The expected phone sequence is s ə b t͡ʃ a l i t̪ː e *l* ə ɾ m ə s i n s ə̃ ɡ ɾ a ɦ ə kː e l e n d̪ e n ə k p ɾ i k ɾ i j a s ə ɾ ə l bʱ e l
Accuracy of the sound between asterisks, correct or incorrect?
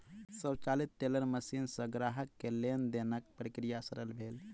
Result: correct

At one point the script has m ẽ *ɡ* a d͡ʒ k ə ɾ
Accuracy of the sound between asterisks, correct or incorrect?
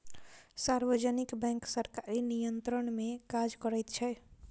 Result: incorrect: k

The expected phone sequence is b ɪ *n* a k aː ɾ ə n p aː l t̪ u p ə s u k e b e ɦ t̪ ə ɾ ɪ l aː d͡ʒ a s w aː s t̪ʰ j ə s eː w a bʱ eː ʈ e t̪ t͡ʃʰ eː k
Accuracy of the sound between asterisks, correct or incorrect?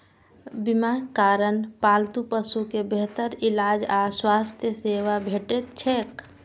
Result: incorrect: m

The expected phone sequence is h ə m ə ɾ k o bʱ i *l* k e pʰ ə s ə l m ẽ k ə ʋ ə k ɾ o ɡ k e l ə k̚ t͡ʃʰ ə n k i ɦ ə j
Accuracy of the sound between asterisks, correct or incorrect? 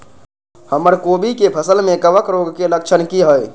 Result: incorrect: none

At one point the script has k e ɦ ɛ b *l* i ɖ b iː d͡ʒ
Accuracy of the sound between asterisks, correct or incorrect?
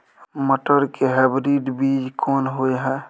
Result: incorrect: ɾ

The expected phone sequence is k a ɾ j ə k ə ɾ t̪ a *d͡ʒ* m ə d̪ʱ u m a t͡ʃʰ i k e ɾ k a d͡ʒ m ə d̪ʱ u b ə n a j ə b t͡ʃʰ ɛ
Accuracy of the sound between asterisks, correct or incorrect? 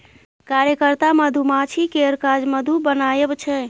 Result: incorrect: none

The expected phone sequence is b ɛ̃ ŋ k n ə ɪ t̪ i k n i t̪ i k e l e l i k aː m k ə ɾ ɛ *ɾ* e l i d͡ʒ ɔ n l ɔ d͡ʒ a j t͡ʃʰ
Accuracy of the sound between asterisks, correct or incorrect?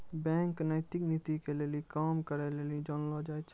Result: incorrect: l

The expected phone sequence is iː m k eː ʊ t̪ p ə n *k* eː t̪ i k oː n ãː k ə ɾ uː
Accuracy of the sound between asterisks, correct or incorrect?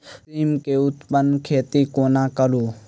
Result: incorrect: kʰ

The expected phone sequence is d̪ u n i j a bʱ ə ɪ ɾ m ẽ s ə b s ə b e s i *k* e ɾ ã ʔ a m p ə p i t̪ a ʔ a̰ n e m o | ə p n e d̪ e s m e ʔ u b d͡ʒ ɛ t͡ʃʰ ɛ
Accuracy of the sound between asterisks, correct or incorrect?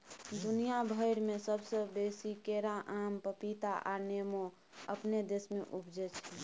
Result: correct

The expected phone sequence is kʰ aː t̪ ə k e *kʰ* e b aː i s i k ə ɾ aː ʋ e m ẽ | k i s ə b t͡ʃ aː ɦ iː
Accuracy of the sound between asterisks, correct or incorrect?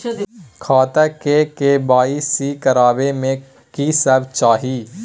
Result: incorrect: k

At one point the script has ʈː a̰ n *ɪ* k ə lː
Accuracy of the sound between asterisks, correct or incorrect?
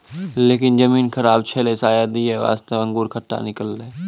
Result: correct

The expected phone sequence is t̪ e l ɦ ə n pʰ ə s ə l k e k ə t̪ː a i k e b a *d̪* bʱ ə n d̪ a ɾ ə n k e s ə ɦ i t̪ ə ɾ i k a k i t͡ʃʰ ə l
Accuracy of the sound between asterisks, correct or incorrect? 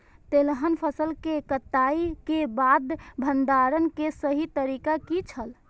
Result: correct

